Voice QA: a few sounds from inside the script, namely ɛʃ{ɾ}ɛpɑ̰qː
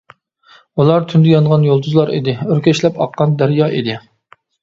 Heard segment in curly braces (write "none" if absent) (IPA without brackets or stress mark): l